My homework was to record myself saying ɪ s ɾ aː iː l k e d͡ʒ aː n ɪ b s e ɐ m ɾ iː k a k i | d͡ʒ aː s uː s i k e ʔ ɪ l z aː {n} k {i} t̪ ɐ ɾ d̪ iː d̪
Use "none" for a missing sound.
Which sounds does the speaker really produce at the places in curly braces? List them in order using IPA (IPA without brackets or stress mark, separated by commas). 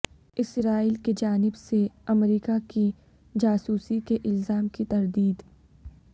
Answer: m, i